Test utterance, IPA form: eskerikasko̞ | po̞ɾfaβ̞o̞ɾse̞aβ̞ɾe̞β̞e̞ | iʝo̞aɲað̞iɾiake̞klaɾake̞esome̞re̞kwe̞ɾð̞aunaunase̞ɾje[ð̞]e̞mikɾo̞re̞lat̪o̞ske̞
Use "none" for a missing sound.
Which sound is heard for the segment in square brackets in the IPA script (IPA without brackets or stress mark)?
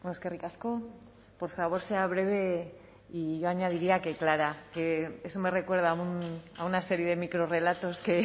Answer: ð̞